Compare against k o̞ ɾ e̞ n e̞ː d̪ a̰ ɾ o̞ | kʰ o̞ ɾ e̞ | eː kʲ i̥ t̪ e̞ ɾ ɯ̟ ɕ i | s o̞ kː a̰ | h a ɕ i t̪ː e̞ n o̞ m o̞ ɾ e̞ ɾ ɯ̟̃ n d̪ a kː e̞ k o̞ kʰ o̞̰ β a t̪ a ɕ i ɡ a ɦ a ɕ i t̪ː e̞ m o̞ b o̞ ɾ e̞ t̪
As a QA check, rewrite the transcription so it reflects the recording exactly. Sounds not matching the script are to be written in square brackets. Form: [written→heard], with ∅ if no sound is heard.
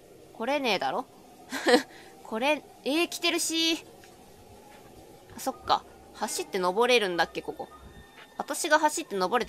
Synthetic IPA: k o̞ ɾ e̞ n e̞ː d̪ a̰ ɾ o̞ | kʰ o̞ ɾ e̞ | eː kʲ i̥ t̪ e̞ ɾ ɯ̟ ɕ i | s o̞ kː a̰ | h a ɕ i t̪ː e̞ n o̞ [m→b] o̞ ɾ e̞ ɾ ɯ̟̃ n d̪ a kː e̞ k o̞ [kʰ→k] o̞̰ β a t̪ a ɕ i ɡ a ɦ a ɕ i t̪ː e̞ [m→n] o̞ b o̞ ɾ e̞ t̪